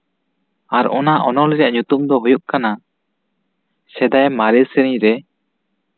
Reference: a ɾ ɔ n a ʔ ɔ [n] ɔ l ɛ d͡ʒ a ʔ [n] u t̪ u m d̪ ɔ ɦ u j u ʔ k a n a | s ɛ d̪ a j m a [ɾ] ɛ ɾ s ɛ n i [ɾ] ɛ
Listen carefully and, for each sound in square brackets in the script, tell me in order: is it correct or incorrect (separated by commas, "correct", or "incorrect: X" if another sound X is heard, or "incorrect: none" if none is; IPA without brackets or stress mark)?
correct, incorrect: ɲ, correct, correct